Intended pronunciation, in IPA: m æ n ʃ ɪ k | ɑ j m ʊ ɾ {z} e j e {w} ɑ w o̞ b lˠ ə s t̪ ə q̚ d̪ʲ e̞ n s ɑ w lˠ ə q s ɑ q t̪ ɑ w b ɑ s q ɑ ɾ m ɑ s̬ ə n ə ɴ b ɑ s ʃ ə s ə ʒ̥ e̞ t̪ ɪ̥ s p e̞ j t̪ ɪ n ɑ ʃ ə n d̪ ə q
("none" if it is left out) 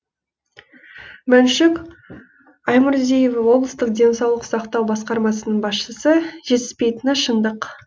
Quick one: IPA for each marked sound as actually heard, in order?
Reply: z, v

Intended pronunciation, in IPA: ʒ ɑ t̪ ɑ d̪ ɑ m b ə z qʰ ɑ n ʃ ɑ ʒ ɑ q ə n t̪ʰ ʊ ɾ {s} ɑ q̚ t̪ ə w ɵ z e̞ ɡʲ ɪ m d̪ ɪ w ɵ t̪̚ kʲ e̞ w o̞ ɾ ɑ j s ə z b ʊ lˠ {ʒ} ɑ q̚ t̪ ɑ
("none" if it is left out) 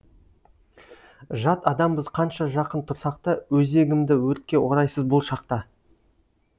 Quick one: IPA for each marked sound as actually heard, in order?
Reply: s, ʃ

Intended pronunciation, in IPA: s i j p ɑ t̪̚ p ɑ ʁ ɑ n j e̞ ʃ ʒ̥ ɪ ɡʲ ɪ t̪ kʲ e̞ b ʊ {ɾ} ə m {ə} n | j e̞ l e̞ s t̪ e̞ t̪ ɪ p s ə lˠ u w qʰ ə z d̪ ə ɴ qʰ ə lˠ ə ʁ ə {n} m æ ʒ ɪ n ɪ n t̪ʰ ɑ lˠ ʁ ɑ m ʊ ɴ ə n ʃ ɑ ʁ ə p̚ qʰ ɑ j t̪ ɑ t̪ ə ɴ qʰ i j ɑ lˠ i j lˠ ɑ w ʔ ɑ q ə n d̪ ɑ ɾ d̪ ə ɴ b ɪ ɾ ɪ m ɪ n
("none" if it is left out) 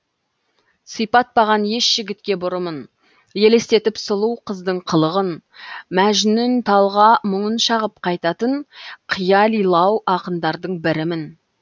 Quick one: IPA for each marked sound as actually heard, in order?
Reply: ɾ, ə, n

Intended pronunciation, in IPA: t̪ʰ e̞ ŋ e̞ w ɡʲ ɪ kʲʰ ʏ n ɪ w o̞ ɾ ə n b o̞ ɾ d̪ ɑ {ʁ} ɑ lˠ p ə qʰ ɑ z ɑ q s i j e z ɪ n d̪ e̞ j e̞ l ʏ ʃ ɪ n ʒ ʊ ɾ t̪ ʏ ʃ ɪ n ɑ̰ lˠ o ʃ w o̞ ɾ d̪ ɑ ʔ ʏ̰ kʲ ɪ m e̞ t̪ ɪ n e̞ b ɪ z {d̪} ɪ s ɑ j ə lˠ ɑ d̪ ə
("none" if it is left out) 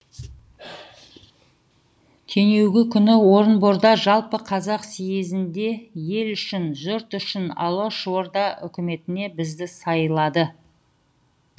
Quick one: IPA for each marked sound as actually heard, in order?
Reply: ʒ, d̪

